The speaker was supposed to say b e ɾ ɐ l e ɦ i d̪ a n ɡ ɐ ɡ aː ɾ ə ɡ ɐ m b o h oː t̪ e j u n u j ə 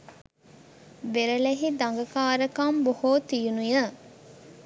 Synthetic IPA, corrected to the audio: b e ɾ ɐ l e ɦ i d̪ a ŋ ɡ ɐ k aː ɾ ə k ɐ m b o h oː t̪ i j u n u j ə